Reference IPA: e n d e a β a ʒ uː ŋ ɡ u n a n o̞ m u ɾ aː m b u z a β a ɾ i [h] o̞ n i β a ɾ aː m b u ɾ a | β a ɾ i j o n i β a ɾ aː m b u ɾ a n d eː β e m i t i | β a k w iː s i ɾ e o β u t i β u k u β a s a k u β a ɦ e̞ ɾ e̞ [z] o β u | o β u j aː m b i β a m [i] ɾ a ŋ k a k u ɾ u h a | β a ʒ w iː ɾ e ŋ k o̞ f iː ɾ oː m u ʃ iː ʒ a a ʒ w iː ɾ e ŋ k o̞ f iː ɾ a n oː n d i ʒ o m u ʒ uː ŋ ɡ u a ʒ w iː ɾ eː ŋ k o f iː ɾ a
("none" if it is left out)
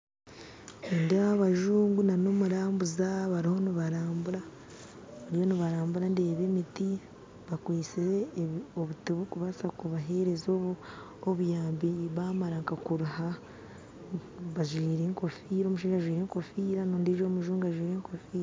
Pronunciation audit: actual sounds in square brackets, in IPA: h, z, a

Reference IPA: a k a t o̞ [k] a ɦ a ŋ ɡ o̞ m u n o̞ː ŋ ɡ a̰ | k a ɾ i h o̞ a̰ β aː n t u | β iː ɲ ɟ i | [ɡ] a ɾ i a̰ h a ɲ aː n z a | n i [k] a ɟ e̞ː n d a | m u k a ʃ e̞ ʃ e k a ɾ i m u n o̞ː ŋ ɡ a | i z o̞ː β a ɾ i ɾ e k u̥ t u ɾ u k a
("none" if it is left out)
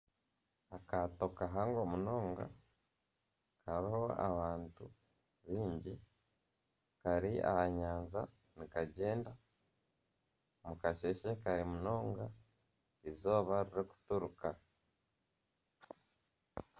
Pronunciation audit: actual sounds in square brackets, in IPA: k, k, k

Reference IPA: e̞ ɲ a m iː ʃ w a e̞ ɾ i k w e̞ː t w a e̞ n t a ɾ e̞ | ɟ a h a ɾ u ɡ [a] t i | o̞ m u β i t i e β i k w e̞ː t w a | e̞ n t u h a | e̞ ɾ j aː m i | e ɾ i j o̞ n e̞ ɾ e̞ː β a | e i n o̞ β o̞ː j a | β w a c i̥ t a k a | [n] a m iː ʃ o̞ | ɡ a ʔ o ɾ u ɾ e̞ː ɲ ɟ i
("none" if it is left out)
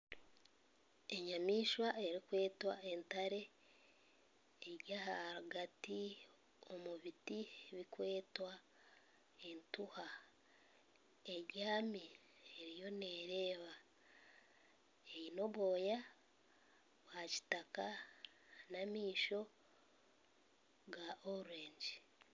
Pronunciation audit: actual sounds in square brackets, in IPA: a, n

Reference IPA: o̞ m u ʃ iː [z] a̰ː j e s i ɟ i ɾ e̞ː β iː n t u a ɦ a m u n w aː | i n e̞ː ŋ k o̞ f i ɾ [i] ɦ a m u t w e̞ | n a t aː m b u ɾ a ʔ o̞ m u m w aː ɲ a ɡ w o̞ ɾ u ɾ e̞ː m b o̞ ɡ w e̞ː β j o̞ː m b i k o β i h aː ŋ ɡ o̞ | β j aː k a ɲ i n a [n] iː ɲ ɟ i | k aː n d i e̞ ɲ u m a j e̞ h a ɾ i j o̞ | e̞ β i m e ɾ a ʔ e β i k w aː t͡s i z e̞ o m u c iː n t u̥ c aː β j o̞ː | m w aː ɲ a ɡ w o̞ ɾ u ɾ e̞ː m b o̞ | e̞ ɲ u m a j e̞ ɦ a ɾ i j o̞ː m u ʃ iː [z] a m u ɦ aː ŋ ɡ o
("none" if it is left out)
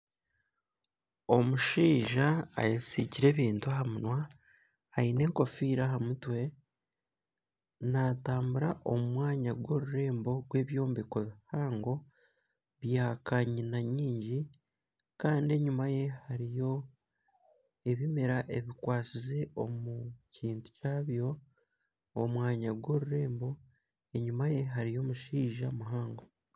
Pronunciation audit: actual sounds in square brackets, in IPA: ʒ, a, ɲ, ʒ

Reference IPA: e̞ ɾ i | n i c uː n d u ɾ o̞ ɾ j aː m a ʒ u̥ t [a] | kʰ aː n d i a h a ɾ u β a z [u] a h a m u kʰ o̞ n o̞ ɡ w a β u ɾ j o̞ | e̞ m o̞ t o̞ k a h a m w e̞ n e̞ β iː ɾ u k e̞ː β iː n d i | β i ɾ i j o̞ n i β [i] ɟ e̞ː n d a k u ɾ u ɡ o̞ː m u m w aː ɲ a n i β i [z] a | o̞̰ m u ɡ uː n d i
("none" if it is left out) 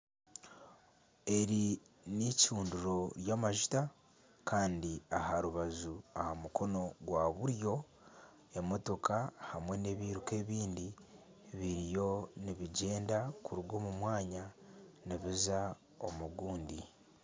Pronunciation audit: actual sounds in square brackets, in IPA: a, u, i, z

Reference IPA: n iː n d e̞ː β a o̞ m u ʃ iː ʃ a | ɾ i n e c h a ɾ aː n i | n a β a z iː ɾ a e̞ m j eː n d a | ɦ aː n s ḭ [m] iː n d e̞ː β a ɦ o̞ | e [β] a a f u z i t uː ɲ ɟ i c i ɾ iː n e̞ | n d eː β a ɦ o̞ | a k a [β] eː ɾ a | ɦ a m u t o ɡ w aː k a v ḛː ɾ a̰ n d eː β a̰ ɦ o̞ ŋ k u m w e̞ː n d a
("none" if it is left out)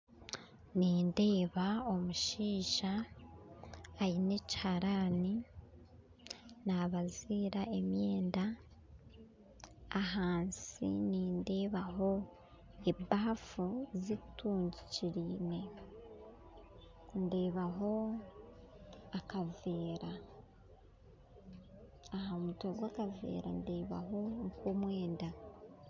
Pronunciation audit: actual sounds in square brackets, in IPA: n, b, v

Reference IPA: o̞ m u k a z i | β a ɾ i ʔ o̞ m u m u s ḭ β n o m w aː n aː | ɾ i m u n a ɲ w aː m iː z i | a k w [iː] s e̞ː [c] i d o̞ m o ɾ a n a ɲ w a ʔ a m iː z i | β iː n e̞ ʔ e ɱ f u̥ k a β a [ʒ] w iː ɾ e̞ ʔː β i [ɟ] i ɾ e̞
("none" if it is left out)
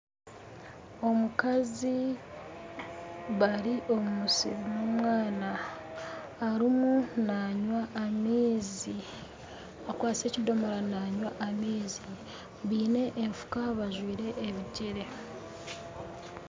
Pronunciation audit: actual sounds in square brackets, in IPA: aː, c, ʒ, ɟ

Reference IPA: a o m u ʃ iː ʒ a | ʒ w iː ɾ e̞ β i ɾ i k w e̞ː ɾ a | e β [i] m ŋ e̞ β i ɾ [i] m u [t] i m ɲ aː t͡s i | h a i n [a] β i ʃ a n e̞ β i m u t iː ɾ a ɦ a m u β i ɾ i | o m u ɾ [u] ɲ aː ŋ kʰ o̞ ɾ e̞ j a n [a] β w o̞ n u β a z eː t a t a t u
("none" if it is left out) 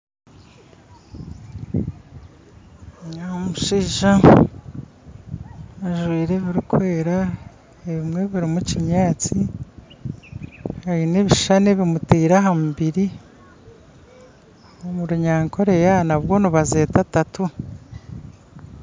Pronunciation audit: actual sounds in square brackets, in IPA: i, i, c, e, u, a

